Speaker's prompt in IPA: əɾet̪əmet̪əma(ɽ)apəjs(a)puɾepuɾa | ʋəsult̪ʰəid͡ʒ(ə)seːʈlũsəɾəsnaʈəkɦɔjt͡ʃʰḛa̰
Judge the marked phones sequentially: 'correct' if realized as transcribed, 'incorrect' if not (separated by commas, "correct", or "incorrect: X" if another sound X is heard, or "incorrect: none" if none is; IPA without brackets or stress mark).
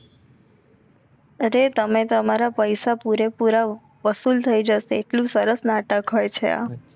incorrect: ɾ, correct, correct